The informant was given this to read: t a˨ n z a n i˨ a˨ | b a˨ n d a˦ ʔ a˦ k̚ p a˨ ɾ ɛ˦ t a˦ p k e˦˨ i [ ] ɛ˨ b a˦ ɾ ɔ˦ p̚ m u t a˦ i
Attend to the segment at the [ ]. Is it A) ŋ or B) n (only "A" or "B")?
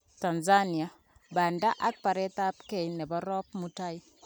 B